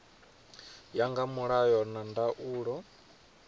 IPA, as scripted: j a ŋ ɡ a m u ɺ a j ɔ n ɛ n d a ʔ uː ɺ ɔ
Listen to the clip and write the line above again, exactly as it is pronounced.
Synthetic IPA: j a ŋ ɡ a m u ɺ a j ɔ n a n d a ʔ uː ɺ ɔ

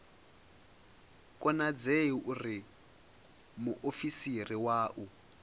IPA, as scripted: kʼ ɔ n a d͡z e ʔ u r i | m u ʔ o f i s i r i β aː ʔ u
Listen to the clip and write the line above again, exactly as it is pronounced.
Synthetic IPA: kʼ ɔ n a d͡z e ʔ u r i | m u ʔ o f i s i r i w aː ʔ u

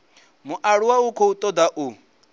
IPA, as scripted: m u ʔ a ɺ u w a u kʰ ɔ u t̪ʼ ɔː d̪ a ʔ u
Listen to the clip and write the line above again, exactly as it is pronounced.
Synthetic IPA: m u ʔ a ɺ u w a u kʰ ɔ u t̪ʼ ɔ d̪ a ʔ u

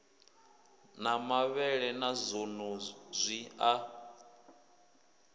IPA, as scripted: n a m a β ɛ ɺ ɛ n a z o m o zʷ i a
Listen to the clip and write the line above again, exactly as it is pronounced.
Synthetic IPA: n a m a β ɛ ɺ ɛ n a z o n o zʷ i a

